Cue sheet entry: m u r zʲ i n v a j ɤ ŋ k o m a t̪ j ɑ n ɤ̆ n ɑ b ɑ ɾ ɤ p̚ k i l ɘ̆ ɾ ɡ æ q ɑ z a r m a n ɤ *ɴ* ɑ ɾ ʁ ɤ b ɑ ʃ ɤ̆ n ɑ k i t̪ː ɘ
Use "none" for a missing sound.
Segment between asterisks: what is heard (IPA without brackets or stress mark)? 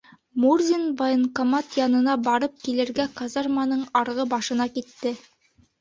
ɴ